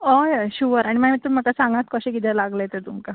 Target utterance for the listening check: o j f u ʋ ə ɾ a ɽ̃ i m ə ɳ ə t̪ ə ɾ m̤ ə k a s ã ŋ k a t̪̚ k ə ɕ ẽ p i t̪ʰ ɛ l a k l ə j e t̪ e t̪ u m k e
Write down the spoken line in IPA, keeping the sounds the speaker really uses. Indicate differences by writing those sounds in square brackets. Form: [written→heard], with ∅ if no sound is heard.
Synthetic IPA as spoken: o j [f→ɕ] u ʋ ə ɾ a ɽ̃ i m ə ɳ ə t̪ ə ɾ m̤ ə k a s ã ŋ [k→ɡ] a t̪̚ k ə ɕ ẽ [p→k] i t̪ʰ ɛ l a [k→ɡ] l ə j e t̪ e t̪ u m k [e→a]

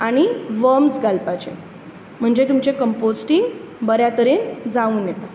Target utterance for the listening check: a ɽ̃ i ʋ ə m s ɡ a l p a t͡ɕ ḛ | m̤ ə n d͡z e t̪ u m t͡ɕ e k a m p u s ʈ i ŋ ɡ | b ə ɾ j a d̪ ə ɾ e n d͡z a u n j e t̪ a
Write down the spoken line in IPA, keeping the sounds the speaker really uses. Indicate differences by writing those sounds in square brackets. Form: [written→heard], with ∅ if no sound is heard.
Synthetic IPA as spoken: a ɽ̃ i ʋ ə m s ɡ a l p a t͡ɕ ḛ | m̤ ə [n→ɳ] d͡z e t̪ u m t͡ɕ e k [a→ə] m p [u→o] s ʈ i ŋ ɡ | b ə ɾ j a [d̪→t̪] ə ɾ e n d͡z a [u→uː] n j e t̪ a

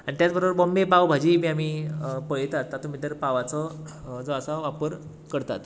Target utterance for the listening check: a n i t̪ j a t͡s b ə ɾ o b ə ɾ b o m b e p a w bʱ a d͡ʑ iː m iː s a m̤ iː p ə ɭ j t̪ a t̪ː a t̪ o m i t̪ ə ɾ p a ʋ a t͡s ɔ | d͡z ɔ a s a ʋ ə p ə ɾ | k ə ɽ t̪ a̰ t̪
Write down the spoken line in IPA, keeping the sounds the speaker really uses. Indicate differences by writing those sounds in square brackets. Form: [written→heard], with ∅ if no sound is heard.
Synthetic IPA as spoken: a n i t̪ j a t͡s b ə ɾ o b ə ɾ b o m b e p a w bʱ a d͡ʑ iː m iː [s→∅] a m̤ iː p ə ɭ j t̪ a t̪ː a t̪ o m i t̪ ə ɾ p a ʋ a t͡s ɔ | d͡z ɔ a s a ʋ [ə→a] p ə ɾ | k ə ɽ t̪ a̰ t̪

